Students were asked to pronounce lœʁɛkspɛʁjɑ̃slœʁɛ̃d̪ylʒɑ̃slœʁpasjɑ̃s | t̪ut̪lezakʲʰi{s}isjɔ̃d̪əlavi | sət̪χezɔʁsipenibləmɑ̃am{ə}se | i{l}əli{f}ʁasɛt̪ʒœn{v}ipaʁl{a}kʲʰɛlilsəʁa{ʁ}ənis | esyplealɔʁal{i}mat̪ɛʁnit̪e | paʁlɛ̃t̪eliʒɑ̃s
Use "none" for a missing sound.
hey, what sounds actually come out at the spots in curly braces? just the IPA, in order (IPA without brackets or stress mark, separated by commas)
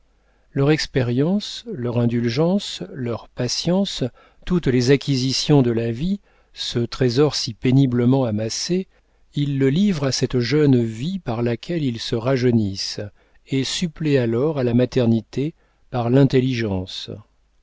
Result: z, a, lː, v, v, a, ʒ, a